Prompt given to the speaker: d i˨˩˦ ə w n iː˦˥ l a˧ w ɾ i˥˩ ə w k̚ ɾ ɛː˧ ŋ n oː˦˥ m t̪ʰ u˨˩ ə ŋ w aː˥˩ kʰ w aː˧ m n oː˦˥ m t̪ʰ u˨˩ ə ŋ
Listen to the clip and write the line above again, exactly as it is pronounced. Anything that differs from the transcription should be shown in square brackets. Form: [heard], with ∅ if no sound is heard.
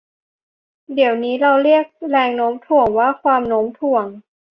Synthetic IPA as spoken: d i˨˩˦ ə w n iː˦˥ [ɾ] a˧ w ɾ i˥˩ ə [∅] k̚ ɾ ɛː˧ ŋ n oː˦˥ m t̪ʰ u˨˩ ə ŋ w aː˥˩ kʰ w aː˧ m n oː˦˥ m t̪ʰ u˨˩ ə ŋ